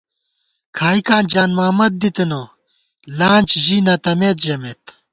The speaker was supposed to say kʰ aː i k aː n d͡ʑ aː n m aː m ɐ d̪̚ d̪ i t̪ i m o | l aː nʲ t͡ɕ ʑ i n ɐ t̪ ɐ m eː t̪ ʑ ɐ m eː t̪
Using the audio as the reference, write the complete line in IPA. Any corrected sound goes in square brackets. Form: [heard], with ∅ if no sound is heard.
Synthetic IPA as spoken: kʰ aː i k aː n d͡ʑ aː n m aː m ɐ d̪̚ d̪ i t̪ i [n] o | l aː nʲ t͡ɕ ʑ i n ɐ t̪ ɐ m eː t̪ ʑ ɐ m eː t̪